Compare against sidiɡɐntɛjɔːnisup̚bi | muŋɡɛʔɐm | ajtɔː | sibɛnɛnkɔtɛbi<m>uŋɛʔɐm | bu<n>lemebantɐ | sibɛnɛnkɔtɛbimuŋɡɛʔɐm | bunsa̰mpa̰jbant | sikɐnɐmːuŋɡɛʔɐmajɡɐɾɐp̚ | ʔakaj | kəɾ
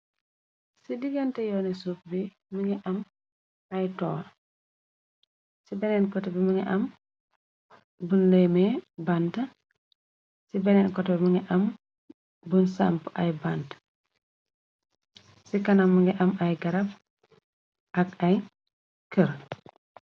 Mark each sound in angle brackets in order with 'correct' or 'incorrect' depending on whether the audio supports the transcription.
correct, correct

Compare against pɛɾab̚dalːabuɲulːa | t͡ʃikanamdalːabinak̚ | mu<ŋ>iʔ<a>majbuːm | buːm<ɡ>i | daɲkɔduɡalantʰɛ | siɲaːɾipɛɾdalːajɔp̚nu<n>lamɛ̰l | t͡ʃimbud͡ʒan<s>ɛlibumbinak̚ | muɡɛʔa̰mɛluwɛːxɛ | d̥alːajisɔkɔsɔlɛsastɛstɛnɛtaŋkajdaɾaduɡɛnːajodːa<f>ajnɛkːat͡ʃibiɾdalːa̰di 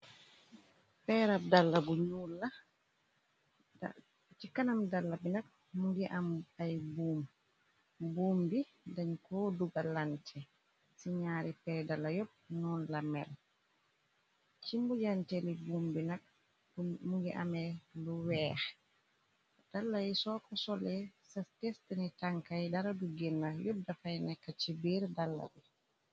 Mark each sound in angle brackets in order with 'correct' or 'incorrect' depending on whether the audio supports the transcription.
incorrect, correct, incorrect, correct, incorrect, correct

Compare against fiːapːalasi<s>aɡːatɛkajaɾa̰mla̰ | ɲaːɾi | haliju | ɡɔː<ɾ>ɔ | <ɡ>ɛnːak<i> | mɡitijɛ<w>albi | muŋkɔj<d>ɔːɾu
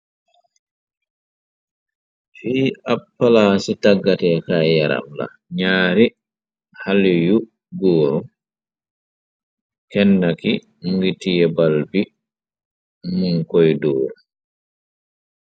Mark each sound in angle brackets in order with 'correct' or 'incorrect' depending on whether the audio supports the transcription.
incorrect, correct, incorrect, correct, incorrect, correct

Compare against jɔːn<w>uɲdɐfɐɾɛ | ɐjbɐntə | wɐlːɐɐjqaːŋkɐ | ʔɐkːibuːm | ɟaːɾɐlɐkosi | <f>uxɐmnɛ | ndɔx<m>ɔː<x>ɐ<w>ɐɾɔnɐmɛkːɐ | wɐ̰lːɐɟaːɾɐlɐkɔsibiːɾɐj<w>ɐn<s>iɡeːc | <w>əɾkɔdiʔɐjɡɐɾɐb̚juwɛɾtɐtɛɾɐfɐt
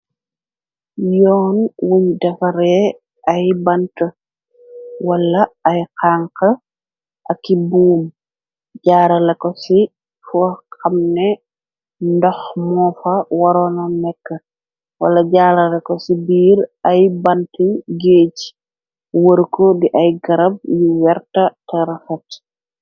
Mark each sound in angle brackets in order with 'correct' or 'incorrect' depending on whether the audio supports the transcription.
correct, correct, correct, incorrect, correct, incorrect, incorrect, correct

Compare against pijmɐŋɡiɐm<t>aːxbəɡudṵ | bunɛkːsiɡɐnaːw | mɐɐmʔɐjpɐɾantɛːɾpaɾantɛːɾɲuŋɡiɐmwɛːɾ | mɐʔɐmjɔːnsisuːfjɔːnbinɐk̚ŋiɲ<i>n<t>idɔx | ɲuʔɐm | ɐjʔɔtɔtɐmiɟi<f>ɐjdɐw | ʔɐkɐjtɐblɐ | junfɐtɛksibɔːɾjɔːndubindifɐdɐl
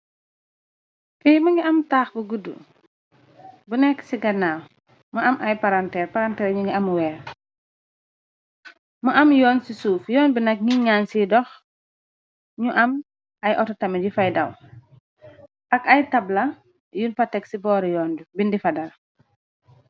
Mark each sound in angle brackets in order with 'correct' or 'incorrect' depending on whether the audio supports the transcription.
correct, incorrect, incorrect, correct

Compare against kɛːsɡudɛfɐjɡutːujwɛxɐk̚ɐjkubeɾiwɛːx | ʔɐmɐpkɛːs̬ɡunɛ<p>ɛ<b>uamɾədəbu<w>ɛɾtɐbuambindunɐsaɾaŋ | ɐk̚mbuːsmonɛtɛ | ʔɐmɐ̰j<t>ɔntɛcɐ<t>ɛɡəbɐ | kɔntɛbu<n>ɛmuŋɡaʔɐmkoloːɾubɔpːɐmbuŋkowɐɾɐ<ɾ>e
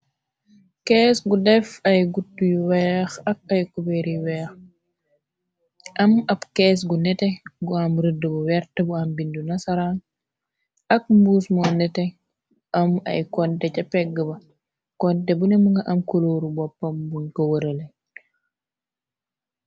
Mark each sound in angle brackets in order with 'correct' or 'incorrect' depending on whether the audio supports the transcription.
incorrect, incorrect, correct, incorrect, incorrect, correct, incorrect

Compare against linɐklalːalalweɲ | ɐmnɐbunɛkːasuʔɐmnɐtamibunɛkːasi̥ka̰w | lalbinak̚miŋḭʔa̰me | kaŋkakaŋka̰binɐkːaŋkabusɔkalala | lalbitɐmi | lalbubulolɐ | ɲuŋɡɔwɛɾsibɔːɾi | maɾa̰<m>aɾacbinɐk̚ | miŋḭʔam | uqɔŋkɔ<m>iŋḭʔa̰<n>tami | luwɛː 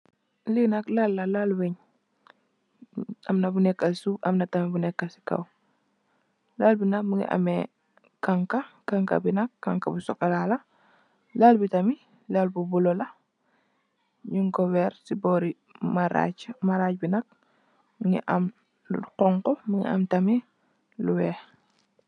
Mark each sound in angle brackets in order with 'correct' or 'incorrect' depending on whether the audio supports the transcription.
correct, correct, incorrect

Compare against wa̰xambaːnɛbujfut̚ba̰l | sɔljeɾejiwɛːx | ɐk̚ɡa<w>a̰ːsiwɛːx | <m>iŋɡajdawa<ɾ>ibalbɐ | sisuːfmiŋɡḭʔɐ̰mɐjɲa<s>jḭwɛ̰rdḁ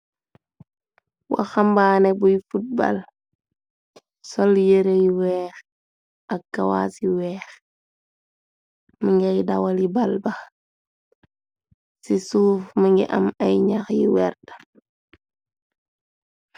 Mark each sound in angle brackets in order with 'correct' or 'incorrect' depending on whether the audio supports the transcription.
correct, correct, incorrect, incorrect

